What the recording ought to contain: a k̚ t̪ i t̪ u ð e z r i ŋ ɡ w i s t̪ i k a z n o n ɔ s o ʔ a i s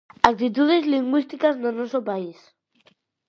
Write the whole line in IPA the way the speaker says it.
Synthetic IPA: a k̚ t̪ i t̪ u ð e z l i ŋ ɡ w i s t̪ i k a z n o n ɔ s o p a i s

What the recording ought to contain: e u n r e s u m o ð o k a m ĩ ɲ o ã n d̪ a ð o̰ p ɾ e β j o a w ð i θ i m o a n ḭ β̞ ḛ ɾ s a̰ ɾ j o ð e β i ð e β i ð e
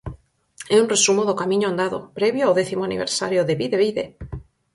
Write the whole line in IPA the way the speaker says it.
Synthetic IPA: e u n r e s u m o ð o k a m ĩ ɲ o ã n d̪ a ð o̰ p ɾ e β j o a w ð e θ i m o a n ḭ β̞ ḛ ɾ s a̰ ɾ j o ð e β i ð e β i ð e

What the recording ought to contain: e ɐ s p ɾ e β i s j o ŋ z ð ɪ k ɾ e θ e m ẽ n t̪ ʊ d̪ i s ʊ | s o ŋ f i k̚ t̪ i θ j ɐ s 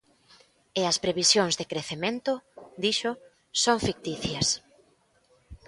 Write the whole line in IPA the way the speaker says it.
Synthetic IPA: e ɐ s p ɾ e β i s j o ŋ z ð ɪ k ɾ e θ e m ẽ n t̪ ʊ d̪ i ʃ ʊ | s o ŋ f i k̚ t̪ i θ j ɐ s

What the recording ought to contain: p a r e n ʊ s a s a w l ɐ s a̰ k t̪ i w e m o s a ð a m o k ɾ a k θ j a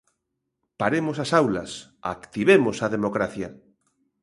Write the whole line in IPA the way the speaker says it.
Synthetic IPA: p a ɾ e m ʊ s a s a w l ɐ s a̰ k t̪ i β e m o s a ð e m o k ɾ a θ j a

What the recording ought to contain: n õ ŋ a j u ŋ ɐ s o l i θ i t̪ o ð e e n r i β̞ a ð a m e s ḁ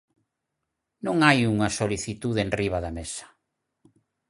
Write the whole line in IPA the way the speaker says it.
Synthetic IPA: n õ ŋ a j u ŋ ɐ s o l i θ i t̪ u ð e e n r i β̞ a ð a m e s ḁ

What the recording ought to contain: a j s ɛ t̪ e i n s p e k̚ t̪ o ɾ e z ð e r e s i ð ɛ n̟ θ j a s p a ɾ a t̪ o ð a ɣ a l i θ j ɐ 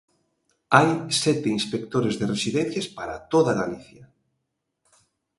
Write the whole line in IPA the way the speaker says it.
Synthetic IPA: a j s ɛ t̪ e i n s p e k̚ t̪ o ɾ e z ð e r e s i ð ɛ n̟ θ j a s p a ɾ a t̪ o ð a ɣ a l i θ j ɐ

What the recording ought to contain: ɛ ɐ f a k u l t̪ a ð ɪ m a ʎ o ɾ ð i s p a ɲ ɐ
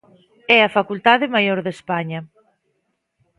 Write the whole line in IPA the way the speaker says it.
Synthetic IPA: ɛ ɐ f a k u l t̪ a ð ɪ m a j o ɾ ð e s p a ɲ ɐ

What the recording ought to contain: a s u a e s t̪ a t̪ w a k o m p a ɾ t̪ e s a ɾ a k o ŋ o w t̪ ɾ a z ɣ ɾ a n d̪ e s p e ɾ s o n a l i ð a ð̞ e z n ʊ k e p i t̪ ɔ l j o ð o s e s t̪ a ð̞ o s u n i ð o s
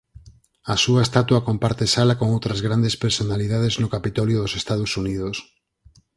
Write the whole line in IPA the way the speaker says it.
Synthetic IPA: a s u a e s t̪ a t̪ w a k o m p a ɾ t̪ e s a l a k o ŋ o w t̪ ɾ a z ɣ ɾ a n d̪ e s p e ɾ s o n a l i ð a ð̞ e z n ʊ k a p i t̪ ɔ l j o ð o s e s t̪ a ð̞ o s u n i ð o s

